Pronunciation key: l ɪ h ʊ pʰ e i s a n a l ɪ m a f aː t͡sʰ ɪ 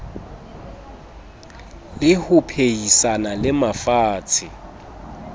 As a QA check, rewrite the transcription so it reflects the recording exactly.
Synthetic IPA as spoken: l ɪ h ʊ pʰ e i s a n a l ɪ m a f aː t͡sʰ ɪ